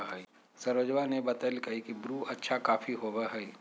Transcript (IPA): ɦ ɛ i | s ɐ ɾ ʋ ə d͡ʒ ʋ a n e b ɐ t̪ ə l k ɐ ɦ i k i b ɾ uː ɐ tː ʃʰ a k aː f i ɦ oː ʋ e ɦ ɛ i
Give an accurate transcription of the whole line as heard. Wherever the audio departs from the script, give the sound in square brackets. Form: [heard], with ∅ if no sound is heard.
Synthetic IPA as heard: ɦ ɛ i | s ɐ ɾ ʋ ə d͡ʒ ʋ a n e b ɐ t̪ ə l k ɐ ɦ i k i b ɾ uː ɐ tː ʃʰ a k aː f i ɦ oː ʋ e ɦ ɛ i

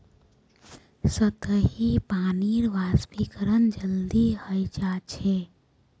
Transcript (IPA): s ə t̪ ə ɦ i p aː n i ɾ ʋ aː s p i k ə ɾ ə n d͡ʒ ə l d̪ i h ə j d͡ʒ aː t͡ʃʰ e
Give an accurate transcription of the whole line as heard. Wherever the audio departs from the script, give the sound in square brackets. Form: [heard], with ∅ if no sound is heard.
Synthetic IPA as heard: s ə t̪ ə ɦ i p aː n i ɾ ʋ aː s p i k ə ɾ ə n d͡ʒ ə l d̪ i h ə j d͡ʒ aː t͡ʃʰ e

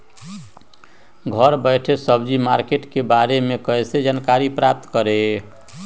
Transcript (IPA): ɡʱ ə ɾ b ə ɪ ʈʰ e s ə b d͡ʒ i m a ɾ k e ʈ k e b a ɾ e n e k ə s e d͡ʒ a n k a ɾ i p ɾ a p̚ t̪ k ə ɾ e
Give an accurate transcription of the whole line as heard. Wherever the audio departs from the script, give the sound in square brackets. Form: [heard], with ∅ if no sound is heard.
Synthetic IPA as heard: ɡʱ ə ɾ b ə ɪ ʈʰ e s ə b d͡ʒ i m a ɾ k e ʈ k e b a ɾ e [m] e k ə s e d͡ʒ a n k a ɾ i p ɾ a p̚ t̪ k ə ɾ e

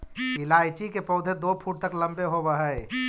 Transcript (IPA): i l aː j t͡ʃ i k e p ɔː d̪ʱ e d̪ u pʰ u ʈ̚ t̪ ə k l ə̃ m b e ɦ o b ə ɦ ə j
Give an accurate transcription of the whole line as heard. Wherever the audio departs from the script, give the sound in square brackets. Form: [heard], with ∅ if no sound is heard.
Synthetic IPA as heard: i l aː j t͡ʃ i k e p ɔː d̪ʱ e d̪ [o] pʰ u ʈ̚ t̪ ə k l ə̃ m b e ɦ o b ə ɦ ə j

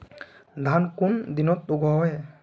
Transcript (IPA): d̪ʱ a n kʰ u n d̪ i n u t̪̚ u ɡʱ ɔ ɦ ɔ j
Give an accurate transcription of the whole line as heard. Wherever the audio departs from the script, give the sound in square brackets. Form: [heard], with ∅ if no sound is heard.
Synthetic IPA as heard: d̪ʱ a n [k] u n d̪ i n [ɔ] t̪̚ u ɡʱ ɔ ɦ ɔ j

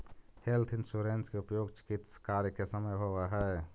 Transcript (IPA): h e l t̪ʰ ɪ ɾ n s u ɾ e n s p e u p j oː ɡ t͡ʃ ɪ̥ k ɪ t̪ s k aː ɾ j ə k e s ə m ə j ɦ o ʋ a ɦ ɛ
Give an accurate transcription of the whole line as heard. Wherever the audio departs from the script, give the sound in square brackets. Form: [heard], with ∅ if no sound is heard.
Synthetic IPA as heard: h e l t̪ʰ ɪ [∅] n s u ɾ e n s [k] e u p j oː ɡ t͡ʃ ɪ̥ k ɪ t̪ s k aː ɾ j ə k e s ə m ə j ɦ o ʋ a ɦ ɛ

